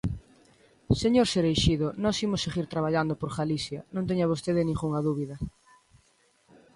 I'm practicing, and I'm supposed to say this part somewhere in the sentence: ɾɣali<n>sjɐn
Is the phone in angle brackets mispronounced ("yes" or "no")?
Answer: yes